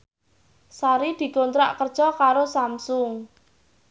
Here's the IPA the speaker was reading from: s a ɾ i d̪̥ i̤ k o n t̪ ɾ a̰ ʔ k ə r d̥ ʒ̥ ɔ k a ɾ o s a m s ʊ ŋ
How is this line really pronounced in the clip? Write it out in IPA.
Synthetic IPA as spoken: s a ɾ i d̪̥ i̤ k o n t̪ ɾ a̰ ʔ k ə r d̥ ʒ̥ ɔ k a ɾ o s a m s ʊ ŋ